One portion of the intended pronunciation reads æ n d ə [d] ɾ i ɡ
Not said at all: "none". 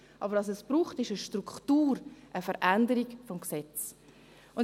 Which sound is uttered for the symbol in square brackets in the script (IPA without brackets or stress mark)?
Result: none